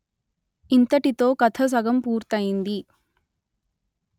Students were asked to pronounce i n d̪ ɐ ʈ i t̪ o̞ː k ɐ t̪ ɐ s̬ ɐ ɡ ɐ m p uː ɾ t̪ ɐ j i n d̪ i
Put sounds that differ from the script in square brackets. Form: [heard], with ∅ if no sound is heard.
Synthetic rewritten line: i n [t̪] ɐ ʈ i t̪ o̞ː k ɐ [t̪ʰ] ɐ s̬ ɐ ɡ ɐ m p uː ɾ t̪ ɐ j i n d̪ i